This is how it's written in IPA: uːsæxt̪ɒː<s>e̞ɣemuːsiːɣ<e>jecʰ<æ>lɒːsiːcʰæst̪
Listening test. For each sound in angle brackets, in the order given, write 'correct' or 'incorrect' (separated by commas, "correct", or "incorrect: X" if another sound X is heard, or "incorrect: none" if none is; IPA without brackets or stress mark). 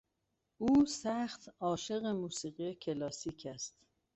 incorrect: ʃ, incorrect: i, incorrect: e